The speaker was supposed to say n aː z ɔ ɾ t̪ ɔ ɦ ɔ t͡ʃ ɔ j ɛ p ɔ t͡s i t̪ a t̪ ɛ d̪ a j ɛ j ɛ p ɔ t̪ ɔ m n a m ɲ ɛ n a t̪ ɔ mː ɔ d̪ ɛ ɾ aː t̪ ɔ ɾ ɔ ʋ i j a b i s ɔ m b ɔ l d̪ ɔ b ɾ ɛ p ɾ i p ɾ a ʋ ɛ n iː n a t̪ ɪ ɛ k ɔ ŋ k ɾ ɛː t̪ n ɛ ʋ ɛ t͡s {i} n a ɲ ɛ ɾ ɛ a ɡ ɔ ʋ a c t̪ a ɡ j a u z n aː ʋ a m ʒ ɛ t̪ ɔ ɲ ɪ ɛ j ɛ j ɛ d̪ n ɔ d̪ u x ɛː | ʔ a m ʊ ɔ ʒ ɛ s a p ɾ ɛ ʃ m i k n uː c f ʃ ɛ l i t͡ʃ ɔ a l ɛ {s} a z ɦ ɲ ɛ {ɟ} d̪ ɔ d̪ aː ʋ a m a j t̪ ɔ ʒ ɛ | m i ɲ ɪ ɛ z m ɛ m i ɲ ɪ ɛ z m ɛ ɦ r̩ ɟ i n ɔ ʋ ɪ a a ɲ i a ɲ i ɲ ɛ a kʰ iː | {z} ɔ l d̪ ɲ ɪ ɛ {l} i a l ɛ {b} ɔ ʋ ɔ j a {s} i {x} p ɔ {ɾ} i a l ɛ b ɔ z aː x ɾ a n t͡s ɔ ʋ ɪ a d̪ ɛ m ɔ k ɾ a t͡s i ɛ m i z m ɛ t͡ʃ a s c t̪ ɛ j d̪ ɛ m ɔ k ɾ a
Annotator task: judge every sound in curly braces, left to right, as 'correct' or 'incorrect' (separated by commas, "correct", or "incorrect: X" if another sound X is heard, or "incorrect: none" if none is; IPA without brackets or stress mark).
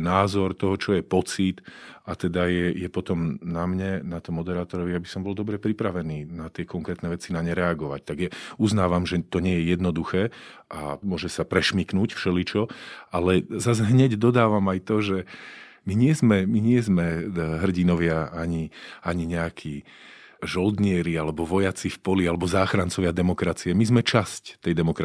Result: correct, incorrect: z, correct, incorrect: ʒ, incorrect: ɾ, correct, incorrect: t͡s, incorrect: f, incorrect: l